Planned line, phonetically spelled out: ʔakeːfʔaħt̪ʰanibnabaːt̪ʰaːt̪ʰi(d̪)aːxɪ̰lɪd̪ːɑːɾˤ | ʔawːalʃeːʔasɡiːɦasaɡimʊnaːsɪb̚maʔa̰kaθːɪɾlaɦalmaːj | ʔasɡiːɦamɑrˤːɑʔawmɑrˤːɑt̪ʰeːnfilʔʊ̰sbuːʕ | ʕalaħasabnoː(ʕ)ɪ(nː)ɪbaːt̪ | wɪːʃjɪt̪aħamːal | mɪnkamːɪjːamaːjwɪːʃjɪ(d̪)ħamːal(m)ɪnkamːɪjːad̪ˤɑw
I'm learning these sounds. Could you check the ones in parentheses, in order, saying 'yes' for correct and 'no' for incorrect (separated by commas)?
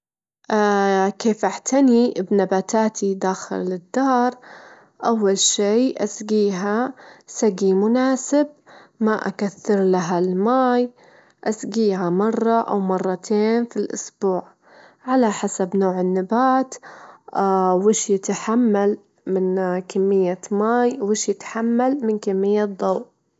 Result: yes, yes, yes, no, yes